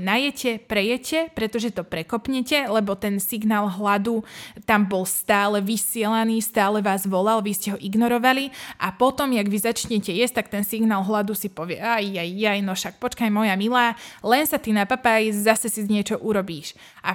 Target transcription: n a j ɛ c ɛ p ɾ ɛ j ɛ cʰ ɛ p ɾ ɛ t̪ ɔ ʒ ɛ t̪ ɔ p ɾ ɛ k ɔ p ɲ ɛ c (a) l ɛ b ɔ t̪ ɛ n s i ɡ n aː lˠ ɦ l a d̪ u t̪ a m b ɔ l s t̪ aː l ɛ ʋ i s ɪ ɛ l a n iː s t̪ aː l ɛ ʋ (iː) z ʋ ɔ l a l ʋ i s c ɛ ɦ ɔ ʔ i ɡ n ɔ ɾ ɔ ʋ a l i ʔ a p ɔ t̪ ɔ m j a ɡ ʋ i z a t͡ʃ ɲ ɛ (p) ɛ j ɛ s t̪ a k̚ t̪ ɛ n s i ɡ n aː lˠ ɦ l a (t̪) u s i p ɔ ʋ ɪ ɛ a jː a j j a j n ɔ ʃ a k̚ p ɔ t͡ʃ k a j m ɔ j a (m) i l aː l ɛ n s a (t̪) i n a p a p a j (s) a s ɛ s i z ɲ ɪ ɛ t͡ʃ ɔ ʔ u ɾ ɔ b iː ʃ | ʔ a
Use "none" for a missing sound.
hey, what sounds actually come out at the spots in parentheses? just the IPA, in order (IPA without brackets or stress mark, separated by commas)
ɛ, aː, c, d̪, m, t̪, z